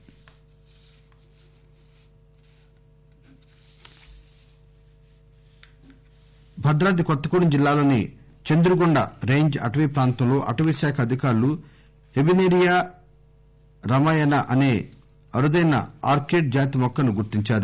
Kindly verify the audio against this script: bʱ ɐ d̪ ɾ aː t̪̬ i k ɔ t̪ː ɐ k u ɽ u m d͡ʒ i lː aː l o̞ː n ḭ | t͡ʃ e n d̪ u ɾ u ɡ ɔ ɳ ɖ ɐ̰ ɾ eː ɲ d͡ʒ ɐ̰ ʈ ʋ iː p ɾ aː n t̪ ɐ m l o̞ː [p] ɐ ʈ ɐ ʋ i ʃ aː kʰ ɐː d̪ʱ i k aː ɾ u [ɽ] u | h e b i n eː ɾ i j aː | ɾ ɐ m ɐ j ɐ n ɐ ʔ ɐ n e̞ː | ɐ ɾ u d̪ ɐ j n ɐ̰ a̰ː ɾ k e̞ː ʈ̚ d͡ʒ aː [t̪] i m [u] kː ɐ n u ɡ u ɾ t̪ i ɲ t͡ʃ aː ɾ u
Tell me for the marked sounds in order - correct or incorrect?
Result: incorrect: ʔ, incorrect: l, correct, incorrect: ɔ

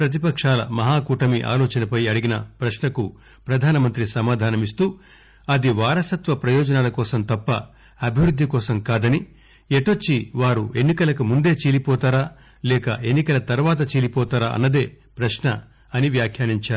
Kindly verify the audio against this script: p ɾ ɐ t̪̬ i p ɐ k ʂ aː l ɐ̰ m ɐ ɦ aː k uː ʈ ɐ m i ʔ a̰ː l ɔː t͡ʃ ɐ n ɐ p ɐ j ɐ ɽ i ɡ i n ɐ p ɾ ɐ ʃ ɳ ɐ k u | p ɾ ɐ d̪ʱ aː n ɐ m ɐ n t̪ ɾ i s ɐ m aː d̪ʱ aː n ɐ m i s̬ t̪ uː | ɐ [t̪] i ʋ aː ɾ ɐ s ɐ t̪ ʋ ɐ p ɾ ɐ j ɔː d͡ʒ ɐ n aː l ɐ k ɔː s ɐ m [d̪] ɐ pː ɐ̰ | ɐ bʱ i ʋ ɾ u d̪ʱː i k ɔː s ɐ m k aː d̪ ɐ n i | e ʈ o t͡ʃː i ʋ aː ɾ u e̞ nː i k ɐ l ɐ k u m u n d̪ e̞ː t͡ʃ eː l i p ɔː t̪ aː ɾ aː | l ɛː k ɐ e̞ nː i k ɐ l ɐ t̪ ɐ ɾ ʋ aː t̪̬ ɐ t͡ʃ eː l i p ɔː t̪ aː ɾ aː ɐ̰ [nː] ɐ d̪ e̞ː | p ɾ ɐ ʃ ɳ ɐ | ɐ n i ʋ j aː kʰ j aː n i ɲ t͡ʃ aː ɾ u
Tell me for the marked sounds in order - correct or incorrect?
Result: incorrect: d̪, incorrect: t̪, correct

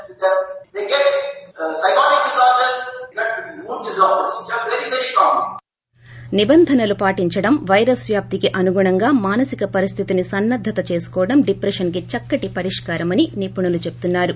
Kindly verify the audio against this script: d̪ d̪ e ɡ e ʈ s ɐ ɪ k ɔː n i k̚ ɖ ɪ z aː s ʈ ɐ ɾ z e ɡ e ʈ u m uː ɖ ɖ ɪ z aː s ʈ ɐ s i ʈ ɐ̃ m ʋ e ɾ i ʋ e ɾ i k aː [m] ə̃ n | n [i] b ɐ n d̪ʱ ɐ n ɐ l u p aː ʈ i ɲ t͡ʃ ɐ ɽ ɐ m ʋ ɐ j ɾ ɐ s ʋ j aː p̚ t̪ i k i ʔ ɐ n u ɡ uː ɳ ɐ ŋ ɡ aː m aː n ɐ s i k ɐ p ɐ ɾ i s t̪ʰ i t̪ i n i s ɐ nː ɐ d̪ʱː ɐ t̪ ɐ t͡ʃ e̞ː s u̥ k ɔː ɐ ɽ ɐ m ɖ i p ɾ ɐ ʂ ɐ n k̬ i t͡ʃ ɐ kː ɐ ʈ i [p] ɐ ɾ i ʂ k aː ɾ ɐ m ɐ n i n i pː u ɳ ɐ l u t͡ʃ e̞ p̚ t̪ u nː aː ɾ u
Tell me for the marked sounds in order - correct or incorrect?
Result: correct, correct, correct

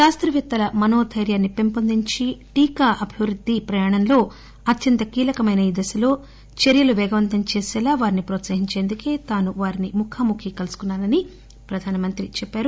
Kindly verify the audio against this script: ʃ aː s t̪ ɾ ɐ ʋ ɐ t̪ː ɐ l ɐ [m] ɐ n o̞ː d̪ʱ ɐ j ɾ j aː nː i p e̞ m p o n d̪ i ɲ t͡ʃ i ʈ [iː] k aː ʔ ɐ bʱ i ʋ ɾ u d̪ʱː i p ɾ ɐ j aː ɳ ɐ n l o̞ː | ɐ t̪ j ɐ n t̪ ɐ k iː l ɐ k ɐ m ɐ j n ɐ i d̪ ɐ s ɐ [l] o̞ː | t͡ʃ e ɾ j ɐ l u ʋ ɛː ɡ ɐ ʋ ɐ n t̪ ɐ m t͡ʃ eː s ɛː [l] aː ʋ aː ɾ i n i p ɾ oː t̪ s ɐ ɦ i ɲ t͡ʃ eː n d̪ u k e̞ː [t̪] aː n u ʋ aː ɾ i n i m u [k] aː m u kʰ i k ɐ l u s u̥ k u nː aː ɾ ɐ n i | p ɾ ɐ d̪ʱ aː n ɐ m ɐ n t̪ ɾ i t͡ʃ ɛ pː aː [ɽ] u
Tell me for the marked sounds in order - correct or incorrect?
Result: correct, correct, correct, correct, correct, incorrect: kʰ, incorrect: ɾ

